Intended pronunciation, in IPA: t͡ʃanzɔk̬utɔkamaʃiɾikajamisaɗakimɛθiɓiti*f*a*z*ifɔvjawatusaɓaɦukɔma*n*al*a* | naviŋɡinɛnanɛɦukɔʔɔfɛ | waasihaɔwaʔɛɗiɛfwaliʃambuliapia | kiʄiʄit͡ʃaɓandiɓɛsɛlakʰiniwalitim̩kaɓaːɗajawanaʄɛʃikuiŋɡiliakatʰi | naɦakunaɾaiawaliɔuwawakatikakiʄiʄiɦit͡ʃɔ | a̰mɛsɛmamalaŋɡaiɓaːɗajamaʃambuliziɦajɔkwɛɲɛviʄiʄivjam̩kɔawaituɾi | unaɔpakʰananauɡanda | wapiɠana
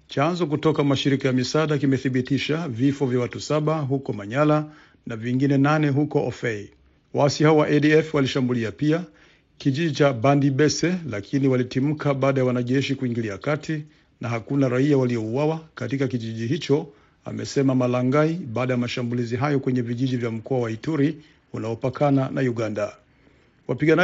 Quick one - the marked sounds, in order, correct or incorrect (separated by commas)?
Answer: incorrect, incorrect, incorrect, correct